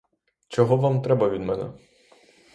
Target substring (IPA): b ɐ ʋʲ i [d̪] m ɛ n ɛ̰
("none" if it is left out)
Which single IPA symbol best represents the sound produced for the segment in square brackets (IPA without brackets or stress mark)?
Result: d̪